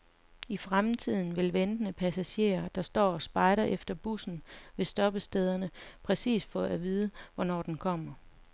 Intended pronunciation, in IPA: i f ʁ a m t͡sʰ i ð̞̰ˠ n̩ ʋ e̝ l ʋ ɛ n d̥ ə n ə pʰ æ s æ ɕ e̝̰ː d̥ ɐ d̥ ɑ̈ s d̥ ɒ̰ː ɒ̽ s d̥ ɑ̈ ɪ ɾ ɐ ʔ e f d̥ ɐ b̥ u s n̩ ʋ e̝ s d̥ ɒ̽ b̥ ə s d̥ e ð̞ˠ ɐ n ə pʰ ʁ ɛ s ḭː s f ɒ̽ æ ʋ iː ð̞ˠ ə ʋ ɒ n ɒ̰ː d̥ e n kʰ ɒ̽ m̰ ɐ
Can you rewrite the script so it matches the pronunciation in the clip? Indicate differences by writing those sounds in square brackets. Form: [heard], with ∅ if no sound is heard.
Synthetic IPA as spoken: i f ʁ a m t͡sʰ i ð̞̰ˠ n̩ ʋ e̝ l ʋ [e] n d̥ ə n ə pʰ æ s æ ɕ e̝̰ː [∅] ɐ d̥ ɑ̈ s d̥ ɒ̰ː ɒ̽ s [b̥] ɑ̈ ɪ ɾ ɐ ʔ e f d̥ ɐ b̥ u s n̩ ʋ e̝ s d̥ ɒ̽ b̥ ə s d̥ e ð̞ˠ ɐ n ə pʰ ʁ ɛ s ḭː s f ɒ̽ æ ʋ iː ð̞ˠ ə ʋ ɒ n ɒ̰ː d̥ e n kʰ ɒ̽ m̰ ɐ